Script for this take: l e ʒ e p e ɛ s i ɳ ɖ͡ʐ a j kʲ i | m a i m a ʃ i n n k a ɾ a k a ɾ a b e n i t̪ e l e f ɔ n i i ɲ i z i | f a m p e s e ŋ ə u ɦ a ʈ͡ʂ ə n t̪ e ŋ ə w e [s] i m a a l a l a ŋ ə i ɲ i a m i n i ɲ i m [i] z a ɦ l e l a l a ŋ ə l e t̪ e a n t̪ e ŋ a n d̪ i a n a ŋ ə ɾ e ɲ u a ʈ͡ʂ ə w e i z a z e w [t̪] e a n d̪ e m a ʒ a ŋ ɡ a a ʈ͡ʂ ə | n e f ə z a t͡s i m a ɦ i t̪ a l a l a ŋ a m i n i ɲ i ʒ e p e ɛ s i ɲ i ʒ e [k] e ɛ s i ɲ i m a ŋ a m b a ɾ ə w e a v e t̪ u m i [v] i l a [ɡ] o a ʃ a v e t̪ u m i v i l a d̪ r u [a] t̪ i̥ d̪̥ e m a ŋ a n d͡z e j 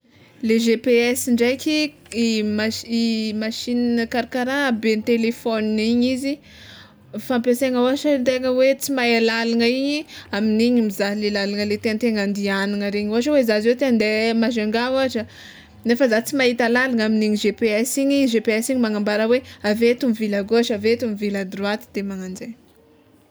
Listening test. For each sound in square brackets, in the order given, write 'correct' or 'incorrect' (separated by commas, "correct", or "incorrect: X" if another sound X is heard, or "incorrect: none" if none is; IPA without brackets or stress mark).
incorrect: t͡s, correct, correct, incorrect: p, correct, correct, correct